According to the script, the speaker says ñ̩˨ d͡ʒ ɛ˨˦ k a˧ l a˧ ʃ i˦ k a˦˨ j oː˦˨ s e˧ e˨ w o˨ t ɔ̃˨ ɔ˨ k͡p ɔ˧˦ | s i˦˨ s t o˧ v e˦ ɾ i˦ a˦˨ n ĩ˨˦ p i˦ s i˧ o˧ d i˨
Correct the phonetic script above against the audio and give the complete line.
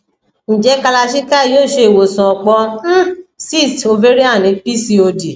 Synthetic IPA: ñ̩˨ d͡ʒ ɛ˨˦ k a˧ l a˧ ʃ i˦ k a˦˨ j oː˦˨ ʃ e˧ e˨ w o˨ s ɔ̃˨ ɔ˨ k͡p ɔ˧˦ | s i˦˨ s t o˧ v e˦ ɾ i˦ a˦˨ n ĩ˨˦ p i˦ s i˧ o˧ d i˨